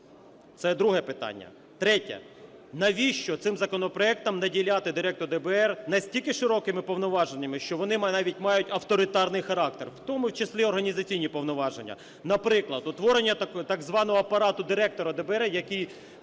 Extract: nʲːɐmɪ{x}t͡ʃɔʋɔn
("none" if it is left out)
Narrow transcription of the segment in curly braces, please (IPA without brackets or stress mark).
ʃ